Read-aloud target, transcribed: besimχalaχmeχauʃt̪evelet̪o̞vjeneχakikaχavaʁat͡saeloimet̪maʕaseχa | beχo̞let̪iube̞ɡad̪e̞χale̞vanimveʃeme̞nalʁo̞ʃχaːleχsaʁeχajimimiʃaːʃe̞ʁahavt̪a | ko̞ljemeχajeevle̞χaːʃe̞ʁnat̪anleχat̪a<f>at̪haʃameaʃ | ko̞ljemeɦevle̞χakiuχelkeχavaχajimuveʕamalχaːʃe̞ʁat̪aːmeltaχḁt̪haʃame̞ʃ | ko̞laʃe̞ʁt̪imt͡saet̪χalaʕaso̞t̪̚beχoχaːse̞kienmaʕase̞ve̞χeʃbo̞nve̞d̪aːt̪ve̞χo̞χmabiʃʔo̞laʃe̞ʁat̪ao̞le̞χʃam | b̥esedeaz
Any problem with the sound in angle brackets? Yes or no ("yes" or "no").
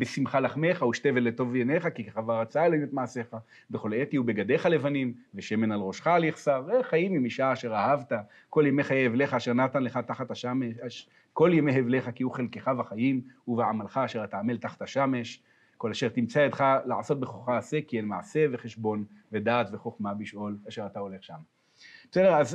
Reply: yes